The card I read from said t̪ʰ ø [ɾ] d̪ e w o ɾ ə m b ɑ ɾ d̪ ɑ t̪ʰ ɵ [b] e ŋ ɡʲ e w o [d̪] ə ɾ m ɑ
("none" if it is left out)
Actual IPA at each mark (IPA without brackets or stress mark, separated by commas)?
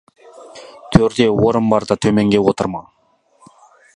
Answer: ɾ, m, t̪